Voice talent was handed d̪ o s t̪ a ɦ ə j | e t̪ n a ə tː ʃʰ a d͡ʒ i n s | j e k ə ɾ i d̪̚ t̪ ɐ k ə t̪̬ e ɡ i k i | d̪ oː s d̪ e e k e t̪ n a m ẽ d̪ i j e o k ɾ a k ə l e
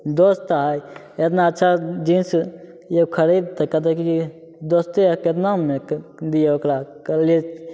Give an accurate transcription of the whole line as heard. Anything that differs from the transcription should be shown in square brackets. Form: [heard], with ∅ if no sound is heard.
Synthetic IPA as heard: d̪ o s t̪ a ɦ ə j | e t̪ n a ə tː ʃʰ a d͡ʒ i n s | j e [kʰ] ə ɾ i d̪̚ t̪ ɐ k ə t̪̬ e [k] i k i | d̪ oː s [t̪] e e k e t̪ n a m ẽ d̪ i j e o k ɾ a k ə l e

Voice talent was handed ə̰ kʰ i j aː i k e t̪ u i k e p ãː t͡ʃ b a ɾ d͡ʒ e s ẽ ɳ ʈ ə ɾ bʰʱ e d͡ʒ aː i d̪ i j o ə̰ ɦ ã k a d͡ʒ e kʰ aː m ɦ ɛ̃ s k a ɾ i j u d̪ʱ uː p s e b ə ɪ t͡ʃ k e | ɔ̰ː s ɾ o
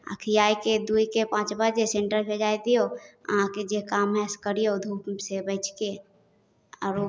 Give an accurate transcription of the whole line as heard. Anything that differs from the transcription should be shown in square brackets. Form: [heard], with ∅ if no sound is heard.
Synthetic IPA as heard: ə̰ kʰ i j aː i k e [d̪] u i k e p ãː t͡ʃ b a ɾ d͡ʒ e s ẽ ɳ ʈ ə ɾ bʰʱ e d͡ʒ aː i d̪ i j o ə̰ ɦ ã k [e] d͡ʒ e [k] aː m ɦ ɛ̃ s k [ə] ɾ i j [o] d̪ʱ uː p s e b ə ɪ t͡ʃ k e | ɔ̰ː [∅] ɾ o

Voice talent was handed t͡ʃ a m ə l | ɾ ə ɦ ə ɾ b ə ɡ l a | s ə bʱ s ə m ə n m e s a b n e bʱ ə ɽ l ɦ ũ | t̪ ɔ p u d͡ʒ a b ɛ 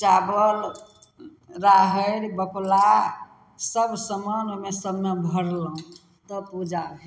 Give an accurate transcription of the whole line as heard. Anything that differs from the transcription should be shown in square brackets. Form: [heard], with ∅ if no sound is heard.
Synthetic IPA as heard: t͡ʃ a [b] ə l | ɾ [a] ɦ ə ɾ b ə [k] l a | s ə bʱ s ə m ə n m e s [ə] b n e bʱ ə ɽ l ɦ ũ | t̪ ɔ p u d͡ʒ a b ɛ

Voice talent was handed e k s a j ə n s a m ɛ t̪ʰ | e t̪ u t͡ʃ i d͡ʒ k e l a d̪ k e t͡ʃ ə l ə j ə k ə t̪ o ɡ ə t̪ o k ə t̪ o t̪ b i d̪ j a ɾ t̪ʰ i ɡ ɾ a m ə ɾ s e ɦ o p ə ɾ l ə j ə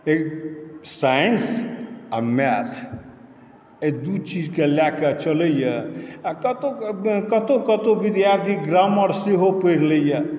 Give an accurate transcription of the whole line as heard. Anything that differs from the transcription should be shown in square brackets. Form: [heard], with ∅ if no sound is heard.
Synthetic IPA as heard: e k s a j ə n s a m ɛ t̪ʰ | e [d̪] u t͡ʃ i d͡ʒ k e l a [∅] k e t͡ʃ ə l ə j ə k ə t̪ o [k] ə t̪ o k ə t̪ o [∅] b i d̪ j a ɾ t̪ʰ i ɡ ɾ a m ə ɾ s e ɦ o p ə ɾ l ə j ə

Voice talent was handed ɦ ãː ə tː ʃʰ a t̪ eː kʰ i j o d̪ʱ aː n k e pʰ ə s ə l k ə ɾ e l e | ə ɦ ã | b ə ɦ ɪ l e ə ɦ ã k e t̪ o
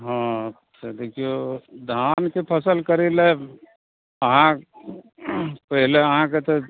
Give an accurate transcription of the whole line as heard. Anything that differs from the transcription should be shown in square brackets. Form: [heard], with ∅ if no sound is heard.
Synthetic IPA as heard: ɦ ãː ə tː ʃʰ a [d̪] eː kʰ i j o d̪ʱ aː n k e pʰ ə s ə l k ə ɾ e l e | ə ɦ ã | [p] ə ɦ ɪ l e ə ɦ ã k e t̪ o

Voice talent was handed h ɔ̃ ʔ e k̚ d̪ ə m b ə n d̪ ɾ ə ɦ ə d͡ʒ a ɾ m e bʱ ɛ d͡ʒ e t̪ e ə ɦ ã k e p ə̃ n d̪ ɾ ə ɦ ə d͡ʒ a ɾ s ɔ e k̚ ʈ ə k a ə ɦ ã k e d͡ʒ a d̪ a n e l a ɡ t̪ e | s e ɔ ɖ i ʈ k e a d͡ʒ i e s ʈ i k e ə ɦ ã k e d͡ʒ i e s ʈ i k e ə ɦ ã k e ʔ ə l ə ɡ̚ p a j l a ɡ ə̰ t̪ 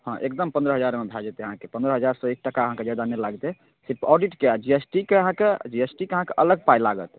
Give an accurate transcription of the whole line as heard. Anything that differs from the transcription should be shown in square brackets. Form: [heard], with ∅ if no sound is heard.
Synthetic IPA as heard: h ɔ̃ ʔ e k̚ d̪ ə m [p] ə n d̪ ɾ ə ɦ ə d͡ʒ a ɾ m e bʱ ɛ d͡ʒ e t̪ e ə ɦ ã k e p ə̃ n d̪ ɾ ə ɦ ə d͡ʒ a ɾ s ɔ e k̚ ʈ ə k a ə ɦ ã k e d͡ʒ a d̪ a n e l a ɡ t̪ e | s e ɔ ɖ i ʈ k e a d͡ʒ i e s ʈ i k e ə ɦ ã k e d͡ʒ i e s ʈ i k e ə ɦ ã k e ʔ ə l ə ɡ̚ p a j l a ɡ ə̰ t̪

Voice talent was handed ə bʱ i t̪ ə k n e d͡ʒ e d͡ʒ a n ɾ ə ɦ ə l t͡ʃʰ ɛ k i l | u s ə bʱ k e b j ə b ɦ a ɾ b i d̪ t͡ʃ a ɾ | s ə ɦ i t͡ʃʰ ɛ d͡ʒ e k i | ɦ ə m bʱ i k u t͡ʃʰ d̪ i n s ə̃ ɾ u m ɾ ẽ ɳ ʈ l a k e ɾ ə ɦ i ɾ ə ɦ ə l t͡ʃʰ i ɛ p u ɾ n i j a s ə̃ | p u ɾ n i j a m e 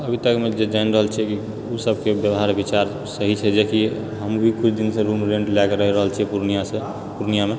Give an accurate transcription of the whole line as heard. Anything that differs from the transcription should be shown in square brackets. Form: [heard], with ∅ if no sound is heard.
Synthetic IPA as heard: ə bʱ i t̪ ə k [m] e d͡ʒ e d͡ʒ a n ɾ ə ɦ ə l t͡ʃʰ ɛ k i [∅] | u s ə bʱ k e b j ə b ɦ a ɾ b i [∅] t͡ʃ a ɾ | s ə ɦ i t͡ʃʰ ɛ d͡ʒ e k i | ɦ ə m bʱ i k u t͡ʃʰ d̪ i n s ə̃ ɾ u m ɾ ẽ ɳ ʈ l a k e ɾ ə ɦ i ɾ ə ɦ ə l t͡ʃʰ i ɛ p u ɾ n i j a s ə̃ | p u ɾ n i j a m e

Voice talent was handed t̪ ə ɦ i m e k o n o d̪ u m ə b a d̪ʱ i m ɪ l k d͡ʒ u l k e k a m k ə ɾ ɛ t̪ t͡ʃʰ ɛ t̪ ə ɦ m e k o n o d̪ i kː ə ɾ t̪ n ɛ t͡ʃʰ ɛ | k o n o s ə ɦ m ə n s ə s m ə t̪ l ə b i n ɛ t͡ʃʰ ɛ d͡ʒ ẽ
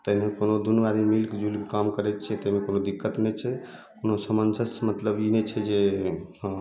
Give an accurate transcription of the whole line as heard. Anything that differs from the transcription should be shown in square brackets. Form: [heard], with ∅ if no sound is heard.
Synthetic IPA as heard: t̪ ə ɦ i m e k o n o d̪ u [n] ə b a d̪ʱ i m [i] l k d͡ʒ u l k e k a m k ə ɾ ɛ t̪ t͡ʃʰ ɛ t̪ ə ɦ m e k o n o d̪ i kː ə [∅] t̪ n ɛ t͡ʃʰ ɛ | k o n o s ə [∅] m ə n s ə s m ə t̪ l ə b i n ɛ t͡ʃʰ ɛ d͡ʒ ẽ

